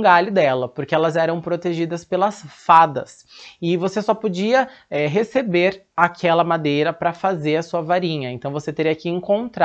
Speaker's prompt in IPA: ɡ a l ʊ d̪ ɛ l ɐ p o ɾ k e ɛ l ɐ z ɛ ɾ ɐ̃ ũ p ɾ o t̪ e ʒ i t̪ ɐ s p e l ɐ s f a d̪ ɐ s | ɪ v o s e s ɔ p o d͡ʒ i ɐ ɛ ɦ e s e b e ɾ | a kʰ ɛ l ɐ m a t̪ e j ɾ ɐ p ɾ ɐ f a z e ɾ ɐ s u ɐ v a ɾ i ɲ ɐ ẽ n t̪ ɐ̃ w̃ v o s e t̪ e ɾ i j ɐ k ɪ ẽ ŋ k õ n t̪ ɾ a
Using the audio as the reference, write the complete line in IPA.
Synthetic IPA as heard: ɡ a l ʊ d̪ ɛ l ɐ p o ɾ k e ɛ l ɐ z ɛ ɾ ɐ̃ w̃ p ɾ o t̪ e ʒ i d̪ ɐ s p e l ɐ s f a d̪ ɐ s | ɪ v o s e s ɔ p o d͡ʒ i ɐ ɛ ɦ e s e b e ɾ | a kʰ ɛ l ɐ m a d̪ e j ɾ ɐ p ɾ ɐ f a z e ɾ ɐ s u ɐ v a ɾ ĩ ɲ ɐ ẽ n t̪ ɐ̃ w̃ v o s e t̪ e ɾ i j ɐ k ɪ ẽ ŋ k õ n t̪ ɾ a